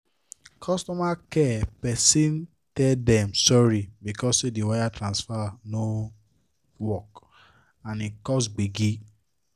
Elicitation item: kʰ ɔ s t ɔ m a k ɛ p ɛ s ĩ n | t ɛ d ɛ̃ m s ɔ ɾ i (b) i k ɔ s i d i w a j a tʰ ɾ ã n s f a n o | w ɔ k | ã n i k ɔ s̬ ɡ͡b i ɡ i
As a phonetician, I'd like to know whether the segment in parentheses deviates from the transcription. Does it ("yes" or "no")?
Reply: no